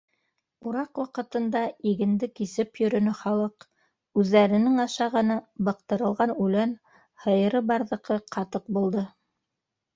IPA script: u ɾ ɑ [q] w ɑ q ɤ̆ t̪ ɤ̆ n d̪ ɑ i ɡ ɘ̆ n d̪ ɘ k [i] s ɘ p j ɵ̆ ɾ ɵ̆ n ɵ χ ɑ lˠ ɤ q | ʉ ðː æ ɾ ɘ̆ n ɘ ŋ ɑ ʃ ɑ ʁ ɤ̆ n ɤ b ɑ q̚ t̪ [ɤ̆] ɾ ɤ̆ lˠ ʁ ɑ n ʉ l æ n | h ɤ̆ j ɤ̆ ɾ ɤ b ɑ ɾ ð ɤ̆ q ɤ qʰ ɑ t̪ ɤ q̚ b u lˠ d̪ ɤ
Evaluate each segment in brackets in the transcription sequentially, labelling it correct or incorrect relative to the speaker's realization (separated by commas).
correct, correct, correct